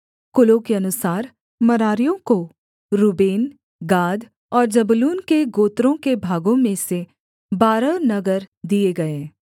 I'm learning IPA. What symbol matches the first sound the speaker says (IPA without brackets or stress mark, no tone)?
k